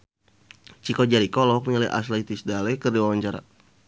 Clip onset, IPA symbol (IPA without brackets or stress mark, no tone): t͡ʃ